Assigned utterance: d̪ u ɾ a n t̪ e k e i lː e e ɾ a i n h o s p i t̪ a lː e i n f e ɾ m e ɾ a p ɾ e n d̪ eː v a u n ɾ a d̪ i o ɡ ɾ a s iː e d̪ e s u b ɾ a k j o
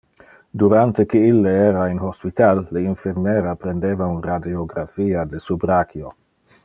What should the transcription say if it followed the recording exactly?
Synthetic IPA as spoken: d̪ u ɾ a n t̪ e k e i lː e e ɾ a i n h o s p i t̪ a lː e i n f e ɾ m e ɾ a p ɾ e n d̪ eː v a u n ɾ a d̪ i o ɡ ɾ a f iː a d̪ e s u b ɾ a k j o

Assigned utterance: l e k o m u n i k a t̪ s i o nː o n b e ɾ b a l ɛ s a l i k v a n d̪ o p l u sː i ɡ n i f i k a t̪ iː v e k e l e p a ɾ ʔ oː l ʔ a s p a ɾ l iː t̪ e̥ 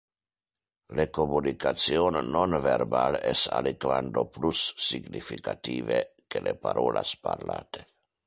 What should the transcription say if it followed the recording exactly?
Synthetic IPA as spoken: l e k o m u n i k a t̪ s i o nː o n v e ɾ b a l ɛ s a l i k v a n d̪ o p l u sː i ɡ n i f i k a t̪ iː v e k e l e p a ɾ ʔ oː l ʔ a s p a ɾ l aː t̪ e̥

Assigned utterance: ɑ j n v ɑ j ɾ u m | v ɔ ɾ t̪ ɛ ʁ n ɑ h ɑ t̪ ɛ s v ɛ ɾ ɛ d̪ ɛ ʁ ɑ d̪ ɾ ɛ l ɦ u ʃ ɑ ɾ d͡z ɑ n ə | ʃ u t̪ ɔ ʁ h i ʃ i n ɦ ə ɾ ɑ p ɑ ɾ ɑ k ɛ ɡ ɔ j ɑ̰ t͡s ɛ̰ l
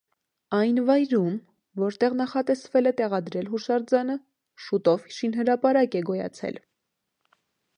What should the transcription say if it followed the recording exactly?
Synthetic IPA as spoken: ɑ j n v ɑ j ɾ u m | v ɔ ɾ t̪ ɛ ʁ n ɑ χ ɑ t̪ ɛ s v ɛ l ɛ t̪ ɛ ʁ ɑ d̪ ɾ ɛ l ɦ u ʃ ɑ ɾ d͡z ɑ n ə | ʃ u t̪ ɔ v h i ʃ i n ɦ ə ɾ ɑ p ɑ ɾ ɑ k ɛ ɡ ɔ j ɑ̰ t͡sʰ ɛ̰ l

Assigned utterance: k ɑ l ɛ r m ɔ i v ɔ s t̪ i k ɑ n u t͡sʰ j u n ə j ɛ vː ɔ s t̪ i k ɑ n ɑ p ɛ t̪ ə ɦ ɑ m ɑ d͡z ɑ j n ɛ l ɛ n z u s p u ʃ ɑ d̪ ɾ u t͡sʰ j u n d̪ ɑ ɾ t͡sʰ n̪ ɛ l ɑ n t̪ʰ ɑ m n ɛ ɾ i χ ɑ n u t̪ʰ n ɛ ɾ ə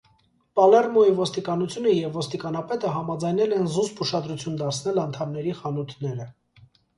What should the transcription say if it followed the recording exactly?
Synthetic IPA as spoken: p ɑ l ɛ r m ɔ i v ɔ s t̪ i k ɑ n u t͡sʰ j u n ə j ɛ vː ɔ s t̪ i k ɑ n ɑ p ɛ t̪ ə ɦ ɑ m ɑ d͡z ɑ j n ɛ l ɛ n z u s p u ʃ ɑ d̪ ɾ u t͡sʰ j u n d̪ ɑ ɾ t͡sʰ n̪ ɛ l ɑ n t̪ʰ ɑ m n ɛ ɾ i χ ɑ n u t̪ʰ n ɛ ɾ ə

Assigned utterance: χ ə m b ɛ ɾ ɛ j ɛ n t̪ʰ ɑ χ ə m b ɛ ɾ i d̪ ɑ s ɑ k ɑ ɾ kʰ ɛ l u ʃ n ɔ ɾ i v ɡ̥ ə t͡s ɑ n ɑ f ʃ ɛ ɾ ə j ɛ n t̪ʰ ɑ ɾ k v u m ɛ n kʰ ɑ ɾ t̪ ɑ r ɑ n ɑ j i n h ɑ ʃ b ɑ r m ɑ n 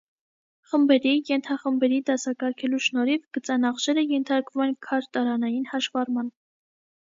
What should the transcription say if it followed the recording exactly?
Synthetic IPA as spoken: χ ə m b ɛ ɾ i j ɛ n t̪ʰ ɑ χ ə m b ɛ ɾ i d̪ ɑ s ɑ k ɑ ɾ kʰ ɛ l u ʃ n ɔ ɾ i v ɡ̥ ə t͡s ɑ n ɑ χ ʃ ɛ ɾ ə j ɛ n t̪ʰ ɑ ɾ k v u m ɛ n kʰ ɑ ɾ t̪ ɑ ɾ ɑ n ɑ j i n h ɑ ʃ v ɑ r m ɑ n

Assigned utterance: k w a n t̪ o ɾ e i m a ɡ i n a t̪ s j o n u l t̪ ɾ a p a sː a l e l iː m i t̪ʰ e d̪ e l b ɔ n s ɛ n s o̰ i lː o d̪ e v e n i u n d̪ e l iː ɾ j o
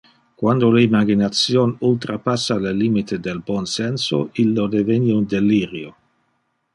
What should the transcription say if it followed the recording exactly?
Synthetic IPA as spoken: k w a n d̪ o l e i m a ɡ i n a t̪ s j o n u l t̪ ɾ a p a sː a l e l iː m i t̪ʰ e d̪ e l b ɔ n s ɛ n s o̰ i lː o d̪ e v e n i u n d̪ e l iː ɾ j o

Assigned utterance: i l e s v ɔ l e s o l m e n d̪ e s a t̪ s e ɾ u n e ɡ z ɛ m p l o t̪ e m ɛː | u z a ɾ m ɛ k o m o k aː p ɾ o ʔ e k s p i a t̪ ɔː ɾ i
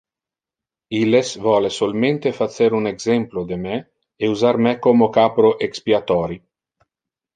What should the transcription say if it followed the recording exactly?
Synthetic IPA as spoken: i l e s v ɔ l e s o l m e n t̪ e f a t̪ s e ɾ u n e ɡ z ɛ m p l o d̪ e m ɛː | u z a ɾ m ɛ k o m o k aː p ɾ o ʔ e k s p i a t̪ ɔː ɾ i

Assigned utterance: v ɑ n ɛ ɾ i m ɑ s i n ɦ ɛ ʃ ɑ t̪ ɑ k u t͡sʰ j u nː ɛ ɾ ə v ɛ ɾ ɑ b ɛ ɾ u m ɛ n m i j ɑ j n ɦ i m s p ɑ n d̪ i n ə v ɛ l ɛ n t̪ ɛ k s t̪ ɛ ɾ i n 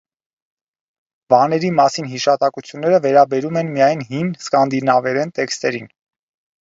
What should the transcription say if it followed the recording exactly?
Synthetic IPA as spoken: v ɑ n ɛ ɾ i m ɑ s i n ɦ i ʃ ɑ t̪ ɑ k u t͡sʰ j u nː ɛ ɾ ə v ɛ ɾ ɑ b ɛ ɾ u m ɛ n m i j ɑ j n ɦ i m s k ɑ n d̪ i n ɑ v ɛ ɾ ɛ n t̪ ɛ k s t̪ ɛ ɾ i n

